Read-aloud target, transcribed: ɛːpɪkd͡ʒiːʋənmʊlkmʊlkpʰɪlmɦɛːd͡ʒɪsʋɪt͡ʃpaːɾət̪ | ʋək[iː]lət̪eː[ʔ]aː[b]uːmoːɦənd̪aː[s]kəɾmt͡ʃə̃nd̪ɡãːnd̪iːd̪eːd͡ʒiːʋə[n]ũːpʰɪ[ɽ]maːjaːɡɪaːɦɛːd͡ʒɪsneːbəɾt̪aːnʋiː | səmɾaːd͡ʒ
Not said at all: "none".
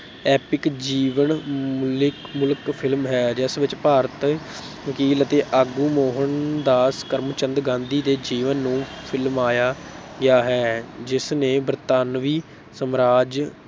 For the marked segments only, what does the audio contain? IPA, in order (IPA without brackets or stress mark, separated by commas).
iː, ʔ, ɡ, s, nː, l